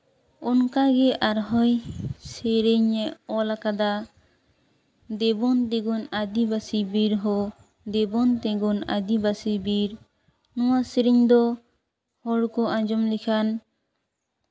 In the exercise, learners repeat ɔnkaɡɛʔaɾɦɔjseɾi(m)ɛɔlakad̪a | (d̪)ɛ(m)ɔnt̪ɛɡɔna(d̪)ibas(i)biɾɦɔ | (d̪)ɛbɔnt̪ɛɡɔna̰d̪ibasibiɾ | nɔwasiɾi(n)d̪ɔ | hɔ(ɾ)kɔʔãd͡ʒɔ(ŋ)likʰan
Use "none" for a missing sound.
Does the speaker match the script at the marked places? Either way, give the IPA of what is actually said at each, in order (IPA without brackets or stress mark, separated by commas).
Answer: ɲ, d̪, b, d̪, i, d̪, ɲ, ɽ, m